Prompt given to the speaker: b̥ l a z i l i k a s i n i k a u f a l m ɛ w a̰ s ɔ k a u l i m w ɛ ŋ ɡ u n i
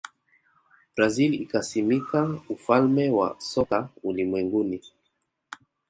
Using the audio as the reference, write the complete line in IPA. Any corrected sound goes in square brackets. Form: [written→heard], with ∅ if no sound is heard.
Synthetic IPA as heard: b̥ [l→ɾ] a z i l i k a s i [n→m] i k a u f a l m ɛ w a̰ s ɔ k a u l i m w ɛ ŋ ɡ u n i